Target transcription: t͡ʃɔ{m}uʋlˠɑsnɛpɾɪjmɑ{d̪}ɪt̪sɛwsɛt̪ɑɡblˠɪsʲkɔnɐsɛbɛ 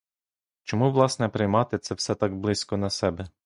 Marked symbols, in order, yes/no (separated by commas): yes, no